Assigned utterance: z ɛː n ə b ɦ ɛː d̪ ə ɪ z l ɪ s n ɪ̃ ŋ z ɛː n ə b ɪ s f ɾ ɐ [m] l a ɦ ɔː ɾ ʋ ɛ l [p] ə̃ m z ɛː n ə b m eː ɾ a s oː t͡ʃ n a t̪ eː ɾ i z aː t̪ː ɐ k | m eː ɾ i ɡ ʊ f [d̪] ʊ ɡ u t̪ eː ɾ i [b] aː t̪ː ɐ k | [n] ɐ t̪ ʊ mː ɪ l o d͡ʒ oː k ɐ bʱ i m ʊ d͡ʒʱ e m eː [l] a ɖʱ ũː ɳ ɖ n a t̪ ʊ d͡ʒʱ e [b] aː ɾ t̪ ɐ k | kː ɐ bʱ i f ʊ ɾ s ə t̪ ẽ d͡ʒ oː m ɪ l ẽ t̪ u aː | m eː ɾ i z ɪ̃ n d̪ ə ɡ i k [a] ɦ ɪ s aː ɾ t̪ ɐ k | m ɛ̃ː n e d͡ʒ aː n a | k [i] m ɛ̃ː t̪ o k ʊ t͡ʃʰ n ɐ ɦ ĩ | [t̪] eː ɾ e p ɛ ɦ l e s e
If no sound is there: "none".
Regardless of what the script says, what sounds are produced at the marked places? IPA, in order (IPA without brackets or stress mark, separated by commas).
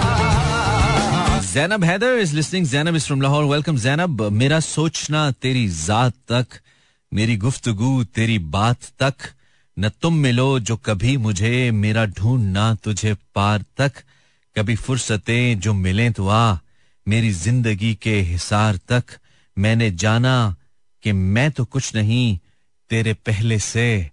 m, k, t̪, b, n, ɾ, p, e, e, t̪